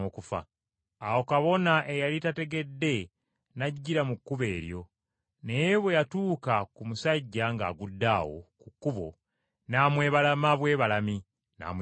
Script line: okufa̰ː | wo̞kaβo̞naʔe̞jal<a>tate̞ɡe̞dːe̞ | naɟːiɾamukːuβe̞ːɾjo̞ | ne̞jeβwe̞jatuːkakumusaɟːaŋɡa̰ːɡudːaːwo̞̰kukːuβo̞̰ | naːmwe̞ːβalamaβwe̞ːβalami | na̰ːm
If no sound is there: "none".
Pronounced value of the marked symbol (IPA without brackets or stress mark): i